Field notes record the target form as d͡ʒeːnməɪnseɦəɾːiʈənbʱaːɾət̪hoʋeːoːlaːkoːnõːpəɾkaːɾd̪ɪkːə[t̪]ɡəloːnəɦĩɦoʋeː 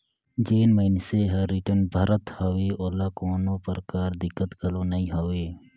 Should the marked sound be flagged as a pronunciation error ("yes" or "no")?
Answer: no